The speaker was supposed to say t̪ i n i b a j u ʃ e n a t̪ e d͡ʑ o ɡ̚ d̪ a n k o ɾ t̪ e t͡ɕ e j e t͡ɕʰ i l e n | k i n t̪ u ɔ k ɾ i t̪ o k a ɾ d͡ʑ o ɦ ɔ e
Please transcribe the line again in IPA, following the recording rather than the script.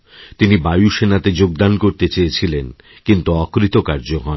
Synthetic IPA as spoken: t̪ i n i b a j u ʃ e n a t̪ e d͡ʑ o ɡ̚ d̪ a n k o ɾ t̪ e t͡ɕ e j e t͡ɕʰ i l e n | k i n t̪ u ɔ k ɾ i t̪ o k a ɾ d͡ʑ o ɦ ɔ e